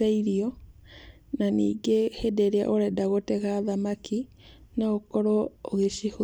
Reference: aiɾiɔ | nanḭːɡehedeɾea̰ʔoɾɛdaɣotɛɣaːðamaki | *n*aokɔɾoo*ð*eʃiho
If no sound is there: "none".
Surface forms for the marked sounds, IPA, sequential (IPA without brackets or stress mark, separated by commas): n, ɣ